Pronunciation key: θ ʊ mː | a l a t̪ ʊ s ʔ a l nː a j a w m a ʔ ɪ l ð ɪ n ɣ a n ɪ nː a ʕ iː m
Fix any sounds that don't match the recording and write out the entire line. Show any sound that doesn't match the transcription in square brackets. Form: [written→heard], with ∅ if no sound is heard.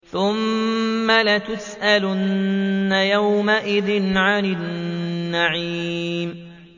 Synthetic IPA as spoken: θ ʊ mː | a l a t̪ ʊ s ʔ a l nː a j a w m a ʔ ɪ [l→∅] ð ɪ n [ɣ→ʕ] a n ɪ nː a ʕ iː m